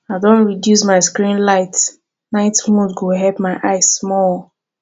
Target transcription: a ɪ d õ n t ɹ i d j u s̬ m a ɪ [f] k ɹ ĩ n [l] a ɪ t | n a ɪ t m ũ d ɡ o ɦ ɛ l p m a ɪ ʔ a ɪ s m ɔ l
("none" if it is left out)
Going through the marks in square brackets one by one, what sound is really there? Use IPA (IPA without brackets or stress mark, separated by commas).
s, l